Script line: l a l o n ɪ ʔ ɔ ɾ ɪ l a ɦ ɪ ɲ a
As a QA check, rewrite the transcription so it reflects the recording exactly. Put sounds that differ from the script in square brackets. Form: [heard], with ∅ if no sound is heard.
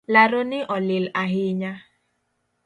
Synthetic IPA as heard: l a [ɾ] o n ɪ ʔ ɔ [l] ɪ l a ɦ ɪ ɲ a